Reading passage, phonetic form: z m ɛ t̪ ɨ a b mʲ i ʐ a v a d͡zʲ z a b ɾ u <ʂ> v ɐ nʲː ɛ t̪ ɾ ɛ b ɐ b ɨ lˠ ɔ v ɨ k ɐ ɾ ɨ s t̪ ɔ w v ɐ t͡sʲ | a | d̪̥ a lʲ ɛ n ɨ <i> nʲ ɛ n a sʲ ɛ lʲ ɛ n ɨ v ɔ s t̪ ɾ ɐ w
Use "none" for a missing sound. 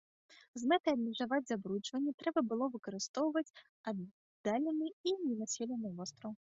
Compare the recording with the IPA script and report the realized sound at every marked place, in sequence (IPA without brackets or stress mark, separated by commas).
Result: t͡ʂ, i